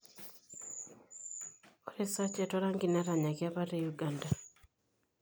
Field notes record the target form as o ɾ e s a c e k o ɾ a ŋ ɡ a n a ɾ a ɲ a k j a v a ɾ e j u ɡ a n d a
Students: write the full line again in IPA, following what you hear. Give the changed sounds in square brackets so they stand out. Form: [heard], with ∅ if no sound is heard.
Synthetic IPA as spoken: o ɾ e s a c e [t] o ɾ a ŋ ɡ [i] n a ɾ a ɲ a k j a [β] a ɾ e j u ɡ a n d a

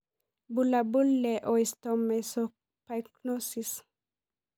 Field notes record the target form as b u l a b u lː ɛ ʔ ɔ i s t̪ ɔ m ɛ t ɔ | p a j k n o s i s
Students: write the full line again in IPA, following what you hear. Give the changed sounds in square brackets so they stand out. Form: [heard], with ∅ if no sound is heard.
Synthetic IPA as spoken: b u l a b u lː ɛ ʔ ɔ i s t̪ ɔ m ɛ [s] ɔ | p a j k n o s i s

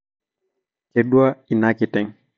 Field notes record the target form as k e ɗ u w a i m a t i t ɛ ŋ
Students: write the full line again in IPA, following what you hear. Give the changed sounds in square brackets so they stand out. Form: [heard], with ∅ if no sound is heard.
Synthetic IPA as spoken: k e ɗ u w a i [n] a [k] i t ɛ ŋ

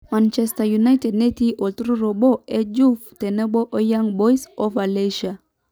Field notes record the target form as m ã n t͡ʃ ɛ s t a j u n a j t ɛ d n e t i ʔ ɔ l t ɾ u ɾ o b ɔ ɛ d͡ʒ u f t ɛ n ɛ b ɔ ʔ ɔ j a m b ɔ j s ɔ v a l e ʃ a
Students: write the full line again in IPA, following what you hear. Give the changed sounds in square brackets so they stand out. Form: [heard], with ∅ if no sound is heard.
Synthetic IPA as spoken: m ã n t͡ʃ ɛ s t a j u n a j t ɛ d n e t i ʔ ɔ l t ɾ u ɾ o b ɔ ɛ d͡ʒ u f t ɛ n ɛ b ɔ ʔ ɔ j a [ŋ] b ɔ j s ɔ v a l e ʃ a

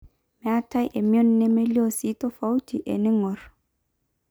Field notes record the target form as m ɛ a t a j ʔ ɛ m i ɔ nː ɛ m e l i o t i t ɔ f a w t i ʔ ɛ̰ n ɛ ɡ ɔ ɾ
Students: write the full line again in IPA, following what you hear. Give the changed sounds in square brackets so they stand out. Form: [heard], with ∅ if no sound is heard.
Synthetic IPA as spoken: m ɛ a t a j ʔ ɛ m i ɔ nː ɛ m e l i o [s] i t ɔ f a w t i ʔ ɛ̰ n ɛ [ŋ] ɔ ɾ

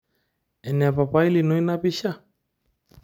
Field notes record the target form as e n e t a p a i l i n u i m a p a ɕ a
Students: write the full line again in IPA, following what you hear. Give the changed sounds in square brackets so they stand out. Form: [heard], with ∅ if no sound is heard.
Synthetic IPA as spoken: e n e [p] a p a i l i n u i [n] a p [i] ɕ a

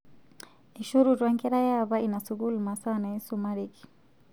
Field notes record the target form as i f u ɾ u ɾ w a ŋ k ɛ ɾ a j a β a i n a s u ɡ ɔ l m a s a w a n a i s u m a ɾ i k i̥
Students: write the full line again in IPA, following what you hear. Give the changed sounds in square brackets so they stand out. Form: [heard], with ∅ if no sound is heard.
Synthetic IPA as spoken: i [ʃ] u ɾ u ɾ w a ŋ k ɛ ɾ a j a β a i n a s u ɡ [u] l m a s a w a n a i s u m a ɾ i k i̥

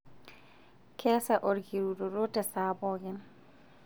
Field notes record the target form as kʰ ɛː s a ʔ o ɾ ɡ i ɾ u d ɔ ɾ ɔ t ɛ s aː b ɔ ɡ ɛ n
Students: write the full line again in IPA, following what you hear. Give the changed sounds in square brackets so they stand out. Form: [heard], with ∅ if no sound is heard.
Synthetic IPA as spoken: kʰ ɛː s a ʔ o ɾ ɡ i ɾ u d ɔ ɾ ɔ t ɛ s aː b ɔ ɡ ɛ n

